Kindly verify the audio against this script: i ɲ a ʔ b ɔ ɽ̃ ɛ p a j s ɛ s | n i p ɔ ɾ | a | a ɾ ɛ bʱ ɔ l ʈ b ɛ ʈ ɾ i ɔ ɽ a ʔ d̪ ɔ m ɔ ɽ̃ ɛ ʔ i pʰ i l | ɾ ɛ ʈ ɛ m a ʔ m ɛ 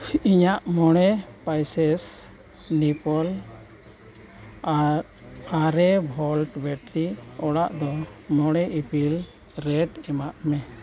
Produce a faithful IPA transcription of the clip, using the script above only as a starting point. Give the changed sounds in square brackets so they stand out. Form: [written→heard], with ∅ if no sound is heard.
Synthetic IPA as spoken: i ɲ a ʔ [b→m] ɔ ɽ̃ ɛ p a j s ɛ s | n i p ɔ [ɾ→l] | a | a ɾ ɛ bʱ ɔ l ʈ b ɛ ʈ ɾ i ɔ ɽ a ʔ d̪ ɔ m ɔ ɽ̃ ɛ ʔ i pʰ i l | ɾ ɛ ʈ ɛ m a ʔ m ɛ